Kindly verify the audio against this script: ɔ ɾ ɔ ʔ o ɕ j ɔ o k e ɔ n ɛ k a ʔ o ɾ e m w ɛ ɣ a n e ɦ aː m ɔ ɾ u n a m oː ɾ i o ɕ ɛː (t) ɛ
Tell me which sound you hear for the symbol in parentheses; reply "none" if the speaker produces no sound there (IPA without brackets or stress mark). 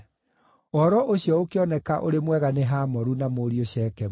k